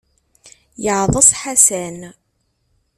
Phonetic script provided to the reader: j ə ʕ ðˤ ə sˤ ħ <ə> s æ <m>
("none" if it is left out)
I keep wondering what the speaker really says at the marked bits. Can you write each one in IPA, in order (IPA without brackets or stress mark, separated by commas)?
a, n